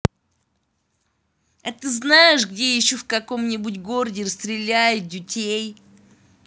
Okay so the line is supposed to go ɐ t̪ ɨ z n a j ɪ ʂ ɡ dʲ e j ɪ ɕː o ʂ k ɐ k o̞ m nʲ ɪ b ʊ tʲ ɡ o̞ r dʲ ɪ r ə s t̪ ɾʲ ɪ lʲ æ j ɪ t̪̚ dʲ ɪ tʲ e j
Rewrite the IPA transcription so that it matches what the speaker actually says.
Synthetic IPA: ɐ t̪ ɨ z n a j ɪ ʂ ɡ dʲ e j ɪ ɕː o f k ɐ k o̞ m nʲ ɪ b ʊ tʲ ɡ o̞ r dʲ ɪ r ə s t̪ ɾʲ ɪ lʲ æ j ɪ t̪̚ dʲ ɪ tʲ e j

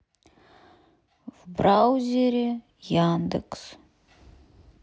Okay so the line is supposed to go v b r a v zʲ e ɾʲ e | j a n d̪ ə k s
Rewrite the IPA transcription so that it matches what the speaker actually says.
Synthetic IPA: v b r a w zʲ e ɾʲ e | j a n d̪ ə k s

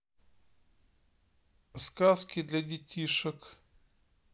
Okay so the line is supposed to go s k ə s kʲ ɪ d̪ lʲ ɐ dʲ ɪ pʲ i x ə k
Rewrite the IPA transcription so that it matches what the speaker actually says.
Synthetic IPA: s k a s kʲ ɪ d̪ lʲ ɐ dʲ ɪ tʲ i ʂ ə k

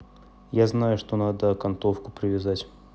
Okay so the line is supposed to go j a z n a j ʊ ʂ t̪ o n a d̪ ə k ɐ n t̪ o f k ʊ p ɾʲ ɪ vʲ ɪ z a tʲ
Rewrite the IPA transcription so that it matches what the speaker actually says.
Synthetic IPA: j a z n a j ʊ ʂ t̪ o n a d̪ ə k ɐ n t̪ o f k ʊ p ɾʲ ɪ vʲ ɪ z a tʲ

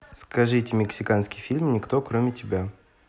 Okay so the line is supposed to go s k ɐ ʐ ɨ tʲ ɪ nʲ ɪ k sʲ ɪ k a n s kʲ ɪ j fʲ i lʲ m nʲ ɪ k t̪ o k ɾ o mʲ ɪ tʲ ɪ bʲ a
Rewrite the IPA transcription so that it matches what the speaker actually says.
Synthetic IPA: s k ɐ ʐ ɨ tʲ ɪ mʲ ɪ k sʲ ɪ k a n s kʲ ɪ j fʲ i lʲ m nʲ ɪ k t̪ o k ɾ o mʲ ɪ tʲ ɪ bʲ a

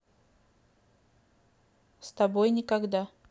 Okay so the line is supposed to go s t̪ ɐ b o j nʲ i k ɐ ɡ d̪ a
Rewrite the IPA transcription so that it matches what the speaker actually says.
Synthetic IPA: s t̪ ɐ b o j nʲ ɪ k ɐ ɡ d̪ a

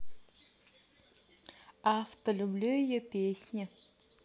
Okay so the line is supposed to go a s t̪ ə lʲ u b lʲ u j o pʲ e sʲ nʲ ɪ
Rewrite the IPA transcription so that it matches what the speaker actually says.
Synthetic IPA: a f t̪ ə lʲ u b lʲ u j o pʲ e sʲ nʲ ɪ

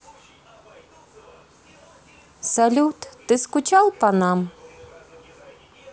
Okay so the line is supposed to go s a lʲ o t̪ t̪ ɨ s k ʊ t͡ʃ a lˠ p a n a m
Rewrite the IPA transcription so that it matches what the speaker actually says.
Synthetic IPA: s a lʲ u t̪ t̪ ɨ s k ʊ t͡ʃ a lˠ p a n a m

